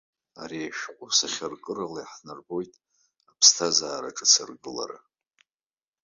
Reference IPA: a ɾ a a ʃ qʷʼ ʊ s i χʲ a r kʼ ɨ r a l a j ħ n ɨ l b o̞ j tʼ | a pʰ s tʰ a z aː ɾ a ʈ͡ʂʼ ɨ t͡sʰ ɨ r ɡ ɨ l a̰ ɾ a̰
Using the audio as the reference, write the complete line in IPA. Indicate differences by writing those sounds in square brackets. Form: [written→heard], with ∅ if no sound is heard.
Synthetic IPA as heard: a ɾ [a→i] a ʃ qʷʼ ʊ s [i→a] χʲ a r kʼ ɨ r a l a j ħ n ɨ [l→r] b o̞ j tʼ | a pʰ s tʰ a z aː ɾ a ʈ͡ʂʼ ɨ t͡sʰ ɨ r ɡ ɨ l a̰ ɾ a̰